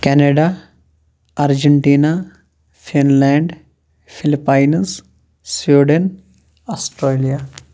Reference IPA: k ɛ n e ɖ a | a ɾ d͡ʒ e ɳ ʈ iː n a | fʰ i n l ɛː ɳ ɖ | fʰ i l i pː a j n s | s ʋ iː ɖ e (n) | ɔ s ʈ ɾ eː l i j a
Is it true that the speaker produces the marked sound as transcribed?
yes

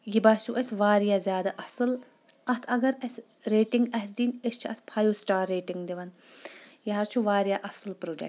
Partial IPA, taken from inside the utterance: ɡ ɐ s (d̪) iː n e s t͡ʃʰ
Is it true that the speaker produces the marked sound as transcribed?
yes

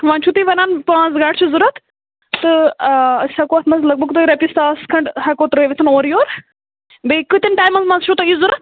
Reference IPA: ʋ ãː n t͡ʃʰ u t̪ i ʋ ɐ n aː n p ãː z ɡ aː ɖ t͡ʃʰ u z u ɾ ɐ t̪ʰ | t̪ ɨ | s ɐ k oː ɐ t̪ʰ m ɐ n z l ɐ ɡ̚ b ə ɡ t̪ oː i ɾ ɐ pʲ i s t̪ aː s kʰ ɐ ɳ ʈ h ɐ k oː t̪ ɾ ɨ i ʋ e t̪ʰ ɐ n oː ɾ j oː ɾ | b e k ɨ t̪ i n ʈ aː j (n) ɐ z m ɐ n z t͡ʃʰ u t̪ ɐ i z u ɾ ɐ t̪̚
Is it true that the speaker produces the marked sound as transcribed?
no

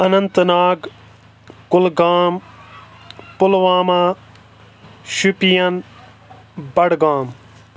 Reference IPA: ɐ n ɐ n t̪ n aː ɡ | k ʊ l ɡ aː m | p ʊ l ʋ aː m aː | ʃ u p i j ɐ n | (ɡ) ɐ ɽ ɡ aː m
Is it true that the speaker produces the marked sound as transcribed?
no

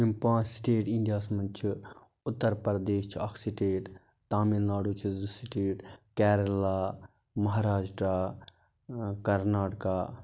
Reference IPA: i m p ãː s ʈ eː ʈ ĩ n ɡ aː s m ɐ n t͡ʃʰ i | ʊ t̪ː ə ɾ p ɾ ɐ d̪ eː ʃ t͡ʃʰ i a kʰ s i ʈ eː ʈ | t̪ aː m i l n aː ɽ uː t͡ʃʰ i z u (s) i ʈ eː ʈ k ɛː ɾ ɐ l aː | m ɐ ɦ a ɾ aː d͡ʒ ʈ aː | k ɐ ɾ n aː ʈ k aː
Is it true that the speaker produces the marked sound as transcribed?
yes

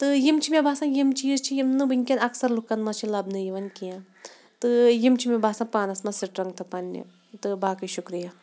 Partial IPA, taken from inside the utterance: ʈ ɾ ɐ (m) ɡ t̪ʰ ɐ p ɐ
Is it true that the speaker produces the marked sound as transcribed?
no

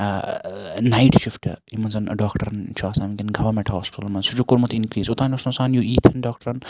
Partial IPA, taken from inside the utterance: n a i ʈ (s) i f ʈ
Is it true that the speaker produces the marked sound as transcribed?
no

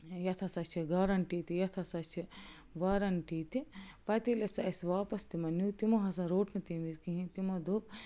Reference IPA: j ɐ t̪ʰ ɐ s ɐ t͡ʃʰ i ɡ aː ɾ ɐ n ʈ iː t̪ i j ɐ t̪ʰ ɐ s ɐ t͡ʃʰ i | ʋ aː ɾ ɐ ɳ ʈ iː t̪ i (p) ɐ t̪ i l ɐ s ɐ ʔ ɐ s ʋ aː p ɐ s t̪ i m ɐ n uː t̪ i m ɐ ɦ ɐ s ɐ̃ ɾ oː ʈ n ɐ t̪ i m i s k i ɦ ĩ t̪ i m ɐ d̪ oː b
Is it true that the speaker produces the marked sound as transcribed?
yes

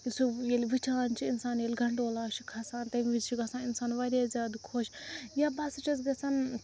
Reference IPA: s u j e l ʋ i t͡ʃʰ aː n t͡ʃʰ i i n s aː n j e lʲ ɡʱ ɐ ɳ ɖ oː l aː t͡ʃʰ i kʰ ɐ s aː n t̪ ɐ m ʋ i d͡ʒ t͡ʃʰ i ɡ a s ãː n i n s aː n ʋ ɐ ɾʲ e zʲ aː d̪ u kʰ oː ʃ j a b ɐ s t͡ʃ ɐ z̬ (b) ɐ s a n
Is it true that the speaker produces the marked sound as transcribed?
no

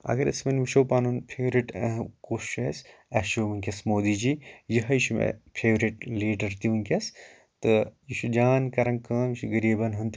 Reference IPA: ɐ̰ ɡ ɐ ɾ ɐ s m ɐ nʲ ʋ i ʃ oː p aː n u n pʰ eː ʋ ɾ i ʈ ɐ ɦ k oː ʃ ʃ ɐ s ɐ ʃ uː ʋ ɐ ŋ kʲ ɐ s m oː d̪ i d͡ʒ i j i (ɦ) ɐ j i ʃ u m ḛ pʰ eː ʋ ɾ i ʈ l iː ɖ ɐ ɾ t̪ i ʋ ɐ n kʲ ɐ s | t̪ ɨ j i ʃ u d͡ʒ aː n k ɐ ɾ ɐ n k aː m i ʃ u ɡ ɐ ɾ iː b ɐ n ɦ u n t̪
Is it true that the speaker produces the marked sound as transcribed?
yes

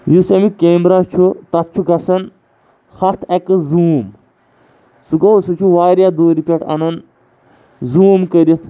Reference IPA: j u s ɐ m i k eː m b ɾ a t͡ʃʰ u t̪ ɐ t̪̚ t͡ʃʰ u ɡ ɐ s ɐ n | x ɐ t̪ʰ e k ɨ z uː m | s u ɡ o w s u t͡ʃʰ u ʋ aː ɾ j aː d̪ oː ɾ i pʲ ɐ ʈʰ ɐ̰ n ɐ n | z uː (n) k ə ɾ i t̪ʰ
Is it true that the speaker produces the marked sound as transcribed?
no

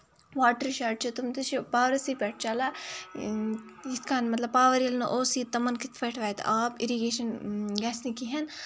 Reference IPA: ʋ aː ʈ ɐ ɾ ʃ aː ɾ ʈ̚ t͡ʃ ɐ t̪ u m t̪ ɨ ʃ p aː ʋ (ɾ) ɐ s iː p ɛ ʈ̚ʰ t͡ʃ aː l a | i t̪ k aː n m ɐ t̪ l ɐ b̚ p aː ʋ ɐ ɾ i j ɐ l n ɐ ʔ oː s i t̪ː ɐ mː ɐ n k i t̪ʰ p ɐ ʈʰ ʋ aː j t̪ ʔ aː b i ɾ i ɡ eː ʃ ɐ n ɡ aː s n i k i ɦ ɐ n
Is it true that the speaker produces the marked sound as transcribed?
yes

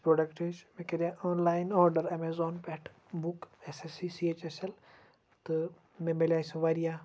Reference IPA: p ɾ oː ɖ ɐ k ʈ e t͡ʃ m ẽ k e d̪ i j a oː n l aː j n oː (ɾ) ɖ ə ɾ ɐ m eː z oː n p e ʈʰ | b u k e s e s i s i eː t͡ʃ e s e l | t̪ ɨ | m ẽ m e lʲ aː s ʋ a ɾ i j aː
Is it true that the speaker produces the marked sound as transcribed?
yes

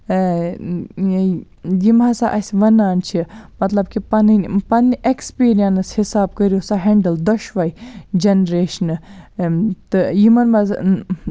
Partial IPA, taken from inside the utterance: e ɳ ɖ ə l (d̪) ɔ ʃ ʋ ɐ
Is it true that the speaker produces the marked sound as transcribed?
yes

